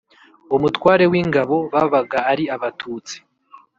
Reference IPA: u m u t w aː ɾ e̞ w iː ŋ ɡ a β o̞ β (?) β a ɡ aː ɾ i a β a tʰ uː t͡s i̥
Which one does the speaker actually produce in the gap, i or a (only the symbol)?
a